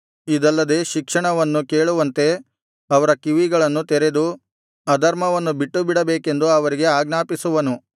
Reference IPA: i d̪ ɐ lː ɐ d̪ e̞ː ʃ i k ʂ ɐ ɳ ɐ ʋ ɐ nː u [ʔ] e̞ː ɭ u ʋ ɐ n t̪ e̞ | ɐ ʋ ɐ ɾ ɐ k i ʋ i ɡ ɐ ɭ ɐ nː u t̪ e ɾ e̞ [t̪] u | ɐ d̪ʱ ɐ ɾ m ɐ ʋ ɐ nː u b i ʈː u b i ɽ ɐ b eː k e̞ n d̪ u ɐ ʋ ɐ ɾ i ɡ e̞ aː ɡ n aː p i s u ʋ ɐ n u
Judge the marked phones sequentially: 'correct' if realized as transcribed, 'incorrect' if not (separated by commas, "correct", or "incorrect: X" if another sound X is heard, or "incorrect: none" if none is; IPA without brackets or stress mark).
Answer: incorrect: k, incorrect: d̪